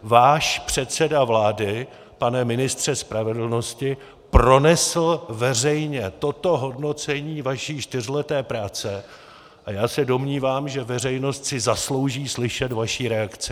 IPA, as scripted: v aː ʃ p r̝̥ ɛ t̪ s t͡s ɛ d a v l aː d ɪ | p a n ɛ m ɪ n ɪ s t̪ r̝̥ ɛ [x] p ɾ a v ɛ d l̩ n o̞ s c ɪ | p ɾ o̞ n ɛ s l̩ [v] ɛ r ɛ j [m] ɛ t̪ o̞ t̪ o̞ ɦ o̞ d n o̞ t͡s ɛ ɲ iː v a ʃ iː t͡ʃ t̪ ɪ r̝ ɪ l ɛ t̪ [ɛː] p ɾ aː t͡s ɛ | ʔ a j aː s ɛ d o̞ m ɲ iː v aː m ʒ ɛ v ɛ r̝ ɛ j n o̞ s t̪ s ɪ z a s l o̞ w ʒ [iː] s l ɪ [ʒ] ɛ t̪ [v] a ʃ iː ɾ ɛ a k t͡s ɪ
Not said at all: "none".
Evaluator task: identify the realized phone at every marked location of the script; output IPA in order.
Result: s, v, ɲ, ɛː, iː, ʃ, v

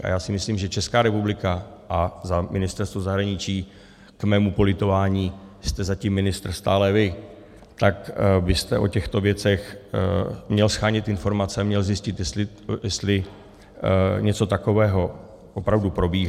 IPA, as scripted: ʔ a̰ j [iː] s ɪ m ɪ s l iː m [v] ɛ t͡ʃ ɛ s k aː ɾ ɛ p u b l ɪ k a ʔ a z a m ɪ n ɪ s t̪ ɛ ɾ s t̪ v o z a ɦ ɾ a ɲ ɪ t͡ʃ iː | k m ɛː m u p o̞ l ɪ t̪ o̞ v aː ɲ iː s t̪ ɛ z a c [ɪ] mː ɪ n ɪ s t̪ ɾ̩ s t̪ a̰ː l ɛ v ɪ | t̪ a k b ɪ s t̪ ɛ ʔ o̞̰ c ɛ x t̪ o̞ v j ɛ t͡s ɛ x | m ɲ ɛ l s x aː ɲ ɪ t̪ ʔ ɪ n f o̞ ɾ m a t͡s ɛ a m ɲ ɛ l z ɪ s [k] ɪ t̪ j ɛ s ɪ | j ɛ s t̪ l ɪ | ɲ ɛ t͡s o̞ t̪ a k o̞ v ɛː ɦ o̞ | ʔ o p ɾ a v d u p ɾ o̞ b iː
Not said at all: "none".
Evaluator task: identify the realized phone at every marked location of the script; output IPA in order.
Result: aː, ʒ, i, c

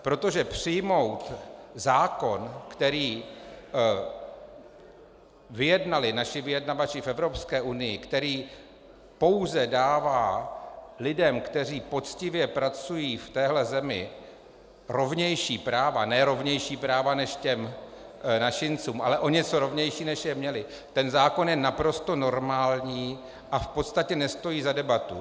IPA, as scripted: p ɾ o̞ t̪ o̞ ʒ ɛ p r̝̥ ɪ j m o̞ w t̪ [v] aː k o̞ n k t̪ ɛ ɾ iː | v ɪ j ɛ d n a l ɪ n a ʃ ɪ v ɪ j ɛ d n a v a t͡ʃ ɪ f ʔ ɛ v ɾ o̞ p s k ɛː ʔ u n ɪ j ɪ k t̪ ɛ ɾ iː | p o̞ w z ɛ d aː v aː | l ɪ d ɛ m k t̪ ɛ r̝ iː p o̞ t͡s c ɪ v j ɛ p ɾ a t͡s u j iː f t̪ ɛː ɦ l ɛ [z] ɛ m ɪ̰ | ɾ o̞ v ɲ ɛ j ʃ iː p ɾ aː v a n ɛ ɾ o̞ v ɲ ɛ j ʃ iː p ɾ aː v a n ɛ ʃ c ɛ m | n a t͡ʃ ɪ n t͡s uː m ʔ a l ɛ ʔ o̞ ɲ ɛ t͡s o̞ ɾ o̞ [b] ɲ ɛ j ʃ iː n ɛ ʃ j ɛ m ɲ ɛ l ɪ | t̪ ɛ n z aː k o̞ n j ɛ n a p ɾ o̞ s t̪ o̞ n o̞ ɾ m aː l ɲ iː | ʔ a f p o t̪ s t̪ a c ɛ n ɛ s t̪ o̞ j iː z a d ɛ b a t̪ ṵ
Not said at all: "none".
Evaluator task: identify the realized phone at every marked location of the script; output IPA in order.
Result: z, z, v

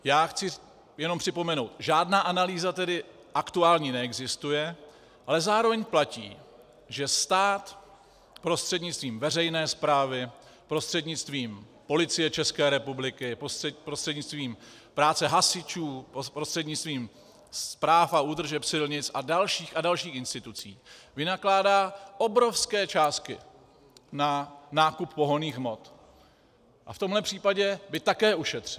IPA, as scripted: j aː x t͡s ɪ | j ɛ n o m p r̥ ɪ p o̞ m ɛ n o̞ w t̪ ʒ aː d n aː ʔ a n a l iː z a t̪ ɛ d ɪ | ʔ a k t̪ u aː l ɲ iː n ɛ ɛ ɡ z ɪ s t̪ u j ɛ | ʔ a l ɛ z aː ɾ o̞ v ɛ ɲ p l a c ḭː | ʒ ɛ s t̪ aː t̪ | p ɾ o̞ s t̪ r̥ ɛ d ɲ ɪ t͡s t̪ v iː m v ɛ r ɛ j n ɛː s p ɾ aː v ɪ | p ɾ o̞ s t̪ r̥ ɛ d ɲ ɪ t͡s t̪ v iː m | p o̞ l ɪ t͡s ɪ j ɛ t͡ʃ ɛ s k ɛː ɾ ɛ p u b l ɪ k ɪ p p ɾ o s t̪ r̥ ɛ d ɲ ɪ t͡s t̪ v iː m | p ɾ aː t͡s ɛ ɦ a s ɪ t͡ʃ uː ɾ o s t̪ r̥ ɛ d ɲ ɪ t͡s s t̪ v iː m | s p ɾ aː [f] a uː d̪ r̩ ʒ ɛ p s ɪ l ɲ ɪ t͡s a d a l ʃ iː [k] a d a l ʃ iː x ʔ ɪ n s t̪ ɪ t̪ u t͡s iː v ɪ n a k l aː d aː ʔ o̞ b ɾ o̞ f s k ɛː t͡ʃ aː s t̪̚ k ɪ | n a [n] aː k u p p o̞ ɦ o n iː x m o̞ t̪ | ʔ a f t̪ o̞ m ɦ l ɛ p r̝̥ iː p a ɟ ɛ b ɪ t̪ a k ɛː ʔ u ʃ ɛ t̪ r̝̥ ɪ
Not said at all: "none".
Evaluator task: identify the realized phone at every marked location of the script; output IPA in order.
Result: f, x, n

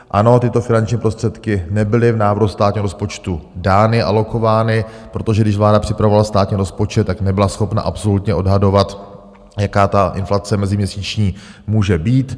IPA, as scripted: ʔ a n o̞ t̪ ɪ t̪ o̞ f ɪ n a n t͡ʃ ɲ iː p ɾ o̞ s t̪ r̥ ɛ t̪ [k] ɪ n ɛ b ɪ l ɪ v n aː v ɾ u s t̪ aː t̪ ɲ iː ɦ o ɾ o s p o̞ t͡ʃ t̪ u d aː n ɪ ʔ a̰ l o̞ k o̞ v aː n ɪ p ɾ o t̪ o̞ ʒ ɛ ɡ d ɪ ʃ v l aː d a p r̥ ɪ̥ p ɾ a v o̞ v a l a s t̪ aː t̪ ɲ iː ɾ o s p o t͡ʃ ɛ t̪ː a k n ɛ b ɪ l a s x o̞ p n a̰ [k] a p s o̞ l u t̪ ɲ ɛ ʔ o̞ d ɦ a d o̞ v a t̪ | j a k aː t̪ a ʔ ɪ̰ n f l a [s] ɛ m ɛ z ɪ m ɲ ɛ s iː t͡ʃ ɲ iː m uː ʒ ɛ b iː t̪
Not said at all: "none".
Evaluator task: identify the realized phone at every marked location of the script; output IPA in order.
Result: k, ʔ, t͡s

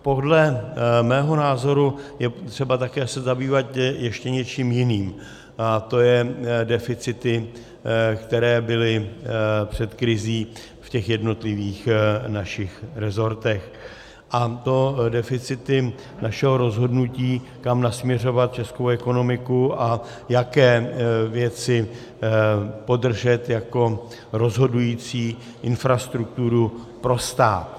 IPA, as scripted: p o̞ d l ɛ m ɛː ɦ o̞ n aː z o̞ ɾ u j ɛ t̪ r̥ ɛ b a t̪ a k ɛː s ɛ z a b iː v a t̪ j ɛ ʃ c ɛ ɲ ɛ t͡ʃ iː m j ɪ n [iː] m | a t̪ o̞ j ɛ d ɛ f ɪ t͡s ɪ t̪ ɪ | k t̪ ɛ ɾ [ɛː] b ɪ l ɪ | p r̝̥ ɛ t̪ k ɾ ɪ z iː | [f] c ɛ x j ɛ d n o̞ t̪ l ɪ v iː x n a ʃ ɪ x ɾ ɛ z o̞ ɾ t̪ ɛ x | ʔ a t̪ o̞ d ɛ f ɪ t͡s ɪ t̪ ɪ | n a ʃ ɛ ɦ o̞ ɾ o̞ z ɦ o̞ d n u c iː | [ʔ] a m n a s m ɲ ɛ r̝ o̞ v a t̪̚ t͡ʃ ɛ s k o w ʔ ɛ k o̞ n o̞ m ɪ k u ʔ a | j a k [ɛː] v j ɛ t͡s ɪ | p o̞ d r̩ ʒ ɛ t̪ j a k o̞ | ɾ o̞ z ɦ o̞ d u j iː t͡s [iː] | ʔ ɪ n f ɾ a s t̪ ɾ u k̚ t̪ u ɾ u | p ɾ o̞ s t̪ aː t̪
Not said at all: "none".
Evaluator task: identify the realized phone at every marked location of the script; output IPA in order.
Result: iː, ɛː, f, k, ɛː, iː

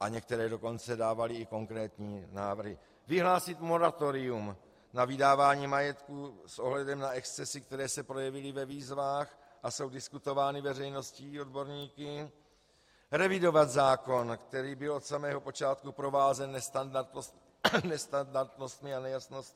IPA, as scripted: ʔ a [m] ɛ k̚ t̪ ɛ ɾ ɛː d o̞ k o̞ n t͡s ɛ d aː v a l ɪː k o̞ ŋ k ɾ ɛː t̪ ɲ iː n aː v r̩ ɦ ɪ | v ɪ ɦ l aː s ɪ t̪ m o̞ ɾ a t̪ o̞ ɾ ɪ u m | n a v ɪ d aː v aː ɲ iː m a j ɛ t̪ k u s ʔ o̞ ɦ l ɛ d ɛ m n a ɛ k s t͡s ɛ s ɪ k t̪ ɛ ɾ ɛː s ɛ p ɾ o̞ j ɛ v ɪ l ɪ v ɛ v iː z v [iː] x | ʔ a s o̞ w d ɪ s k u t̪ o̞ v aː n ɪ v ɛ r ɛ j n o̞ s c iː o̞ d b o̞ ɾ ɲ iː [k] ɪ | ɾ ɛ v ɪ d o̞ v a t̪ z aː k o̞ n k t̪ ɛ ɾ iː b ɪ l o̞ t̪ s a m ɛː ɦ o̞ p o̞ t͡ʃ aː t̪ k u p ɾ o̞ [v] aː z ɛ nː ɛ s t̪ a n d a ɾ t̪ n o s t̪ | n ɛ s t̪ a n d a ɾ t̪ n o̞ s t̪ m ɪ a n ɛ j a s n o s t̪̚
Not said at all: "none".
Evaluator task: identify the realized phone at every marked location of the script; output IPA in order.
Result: ɲ, aː, k, v

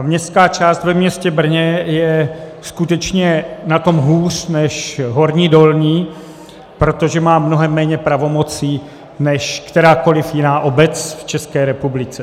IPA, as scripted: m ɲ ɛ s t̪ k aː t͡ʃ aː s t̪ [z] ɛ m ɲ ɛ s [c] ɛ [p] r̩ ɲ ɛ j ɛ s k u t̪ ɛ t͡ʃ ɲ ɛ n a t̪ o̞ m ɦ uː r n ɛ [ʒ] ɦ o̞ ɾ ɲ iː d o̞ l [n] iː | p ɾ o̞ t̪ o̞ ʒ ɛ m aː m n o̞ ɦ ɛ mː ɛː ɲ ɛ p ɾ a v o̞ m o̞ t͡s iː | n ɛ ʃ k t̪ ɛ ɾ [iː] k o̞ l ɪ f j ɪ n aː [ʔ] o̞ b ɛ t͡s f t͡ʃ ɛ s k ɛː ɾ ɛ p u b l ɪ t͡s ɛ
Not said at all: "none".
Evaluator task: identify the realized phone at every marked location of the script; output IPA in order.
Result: v, c, b, ʃ, ɲ, aː, ʔ

